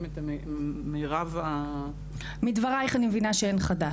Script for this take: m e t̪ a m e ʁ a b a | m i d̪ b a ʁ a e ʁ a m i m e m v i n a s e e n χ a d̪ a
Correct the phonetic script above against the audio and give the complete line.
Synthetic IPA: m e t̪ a m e ʁ a v a | m i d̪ v a ʁ a e χ a n i m e v i n a ʃ e e n χ a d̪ a